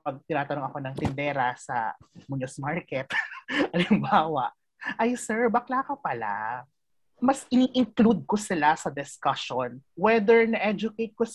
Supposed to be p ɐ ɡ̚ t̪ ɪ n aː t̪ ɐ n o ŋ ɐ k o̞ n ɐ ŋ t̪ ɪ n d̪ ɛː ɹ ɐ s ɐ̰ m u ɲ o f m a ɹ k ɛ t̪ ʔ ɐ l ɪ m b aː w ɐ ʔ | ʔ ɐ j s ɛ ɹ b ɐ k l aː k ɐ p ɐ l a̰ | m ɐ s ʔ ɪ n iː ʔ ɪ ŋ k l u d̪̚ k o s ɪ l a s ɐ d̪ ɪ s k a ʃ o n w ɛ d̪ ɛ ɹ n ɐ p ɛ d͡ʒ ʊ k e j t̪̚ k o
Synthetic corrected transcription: p ɐ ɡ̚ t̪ ɪ n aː t̪ ɐ n o ŋ ɐ k o̞ n ɐ ŋ t̪ ɪ n d̪ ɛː ɾ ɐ s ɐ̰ m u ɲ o s m a ɹ k ɛ t̪ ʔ ɐ l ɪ m b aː w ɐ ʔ | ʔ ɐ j s ɛ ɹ b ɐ k l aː k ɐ p ɐ l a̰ | m ɐ s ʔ ɪ n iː ʔ ɪ ŋ k l u d̪̚ k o s ɪ l a s ɐ d̪ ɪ s k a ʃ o n w ɛ d̪ ɛ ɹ n ɐ ʔ ɛ d͡ʒ ʊ k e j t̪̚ k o